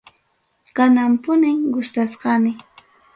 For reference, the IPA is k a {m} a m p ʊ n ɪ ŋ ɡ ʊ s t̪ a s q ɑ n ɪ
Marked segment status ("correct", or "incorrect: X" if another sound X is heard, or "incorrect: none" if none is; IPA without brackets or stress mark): incorrect: n